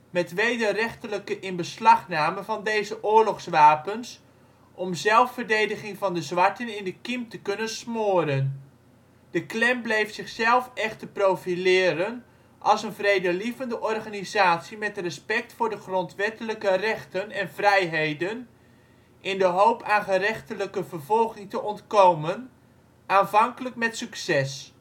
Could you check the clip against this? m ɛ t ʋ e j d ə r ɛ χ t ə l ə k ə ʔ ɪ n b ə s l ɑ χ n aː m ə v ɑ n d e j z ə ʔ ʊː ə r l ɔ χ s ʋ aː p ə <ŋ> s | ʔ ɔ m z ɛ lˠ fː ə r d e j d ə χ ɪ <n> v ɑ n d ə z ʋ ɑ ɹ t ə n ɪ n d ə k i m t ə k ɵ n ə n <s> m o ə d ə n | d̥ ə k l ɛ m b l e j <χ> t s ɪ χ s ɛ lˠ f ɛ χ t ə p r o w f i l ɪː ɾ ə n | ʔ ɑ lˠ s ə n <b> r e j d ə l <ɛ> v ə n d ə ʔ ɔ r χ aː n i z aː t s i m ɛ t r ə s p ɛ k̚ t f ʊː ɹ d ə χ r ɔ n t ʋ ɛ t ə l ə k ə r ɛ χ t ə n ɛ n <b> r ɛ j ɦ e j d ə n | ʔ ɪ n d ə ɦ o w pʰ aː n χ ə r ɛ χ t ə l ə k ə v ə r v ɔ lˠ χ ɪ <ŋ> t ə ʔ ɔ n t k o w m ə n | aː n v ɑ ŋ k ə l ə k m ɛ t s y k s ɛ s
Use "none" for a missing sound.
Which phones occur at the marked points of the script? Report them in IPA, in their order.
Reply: n, ŋ, s, f, v, i, v, ŋ

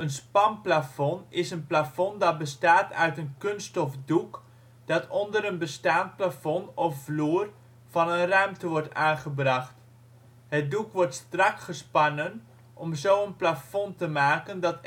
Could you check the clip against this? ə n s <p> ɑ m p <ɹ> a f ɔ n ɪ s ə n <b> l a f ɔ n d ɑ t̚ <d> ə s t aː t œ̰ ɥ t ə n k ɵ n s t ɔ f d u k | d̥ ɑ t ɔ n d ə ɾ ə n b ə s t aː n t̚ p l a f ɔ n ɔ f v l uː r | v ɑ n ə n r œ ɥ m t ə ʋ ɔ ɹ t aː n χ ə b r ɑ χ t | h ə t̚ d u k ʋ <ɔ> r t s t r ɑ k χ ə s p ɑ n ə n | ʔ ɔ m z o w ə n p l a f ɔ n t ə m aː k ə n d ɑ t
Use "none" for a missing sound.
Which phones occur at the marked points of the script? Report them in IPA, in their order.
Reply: p, l, p, b, ɔ

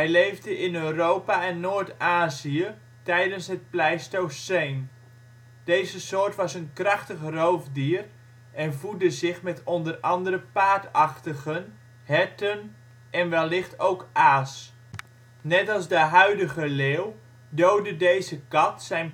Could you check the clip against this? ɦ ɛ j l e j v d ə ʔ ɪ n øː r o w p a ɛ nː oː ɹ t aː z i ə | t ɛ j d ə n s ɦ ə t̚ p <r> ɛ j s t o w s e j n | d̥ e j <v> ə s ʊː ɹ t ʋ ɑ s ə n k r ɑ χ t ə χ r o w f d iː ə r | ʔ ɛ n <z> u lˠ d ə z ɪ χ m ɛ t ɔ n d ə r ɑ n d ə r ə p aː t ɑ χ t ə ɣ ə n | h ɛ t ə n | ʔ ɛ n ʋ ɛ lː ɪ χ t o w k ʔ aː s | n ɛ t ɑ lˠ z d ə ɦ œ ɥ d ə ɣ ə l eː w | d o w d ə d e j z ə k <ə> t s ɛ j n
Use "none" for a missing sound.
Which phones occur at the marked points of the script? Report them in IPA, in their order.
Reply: l, z, v, ɑ

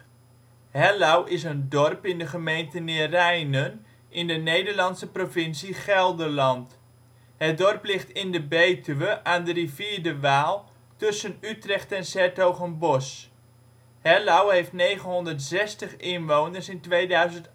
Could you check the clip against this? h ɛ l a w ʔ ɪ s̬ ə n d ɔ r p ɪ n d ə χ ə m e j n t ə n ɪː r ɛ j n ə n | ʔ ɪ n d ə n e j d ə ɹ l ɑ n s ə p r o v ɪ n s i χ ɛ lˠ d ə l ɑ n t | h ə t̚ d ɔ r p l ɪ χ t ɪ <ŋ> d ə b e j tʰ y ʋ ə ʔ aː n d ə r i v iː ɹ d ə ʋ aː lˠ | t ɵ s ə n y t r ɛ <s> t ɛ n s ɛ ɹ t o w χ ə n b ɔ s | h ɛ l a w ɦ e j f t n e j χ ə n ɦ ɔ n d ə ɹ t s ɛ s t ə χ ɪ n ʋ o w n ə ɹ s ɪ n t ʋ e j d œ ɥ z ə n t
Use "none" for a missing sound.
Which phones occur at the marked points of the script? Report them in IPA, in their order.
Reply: n, χ

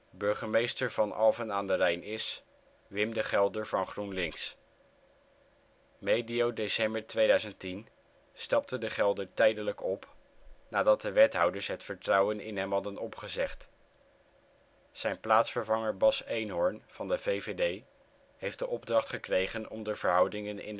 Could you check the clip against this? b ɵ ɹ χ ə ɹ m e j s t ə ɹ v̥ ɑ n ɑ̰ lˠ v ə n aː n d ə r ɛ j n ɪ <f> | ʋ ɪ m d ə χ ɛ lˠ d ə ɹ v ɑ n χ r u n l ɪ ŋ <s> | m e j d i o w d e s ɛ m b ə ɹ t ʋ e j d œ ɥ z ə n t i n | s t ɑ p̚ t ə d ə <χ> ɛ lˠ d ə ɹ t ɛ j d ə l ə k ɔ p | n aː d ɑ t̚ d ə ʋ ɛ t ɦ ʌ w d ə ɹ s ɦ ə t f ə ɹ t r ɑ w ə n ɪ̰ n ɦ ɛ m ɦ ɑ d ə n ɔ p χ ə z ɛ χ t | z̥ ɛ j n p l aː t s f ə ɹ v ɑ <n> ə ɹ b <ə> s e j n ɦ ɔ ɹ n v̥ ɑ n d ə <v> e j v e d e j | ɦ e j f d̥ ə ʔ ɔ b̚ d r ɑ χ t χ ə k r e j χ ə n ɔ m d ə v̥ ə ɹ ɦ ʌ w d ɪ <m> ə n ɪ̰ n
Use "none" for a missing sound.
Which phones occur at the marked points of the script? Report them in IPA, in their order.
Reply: s, s, χ, ŋ, ɑ, v, ŋ

